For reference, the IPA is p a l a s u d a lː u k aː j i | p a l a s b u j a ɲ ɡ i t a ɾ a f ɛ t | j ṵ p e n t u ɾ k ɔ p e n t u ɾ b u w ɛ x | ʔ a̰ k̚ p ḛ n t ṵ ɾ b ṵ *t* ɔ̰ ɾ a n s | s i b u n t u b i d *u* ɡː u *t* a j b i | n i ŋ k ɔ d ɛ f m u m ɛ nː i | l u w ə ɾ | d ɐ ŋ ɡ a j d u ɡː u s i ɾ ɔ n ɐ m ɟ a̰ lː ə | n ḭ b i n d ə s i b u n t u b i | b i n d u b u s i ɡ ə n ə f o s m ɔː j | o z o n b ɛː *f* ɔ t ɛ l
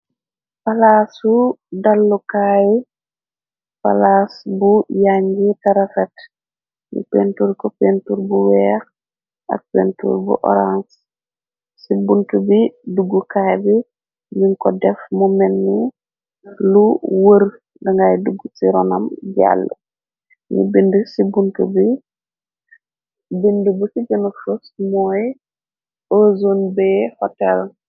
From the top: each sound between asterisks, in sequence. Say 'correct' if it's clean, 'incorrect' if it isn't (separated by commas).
incorrect, correct, incorrect, incorrect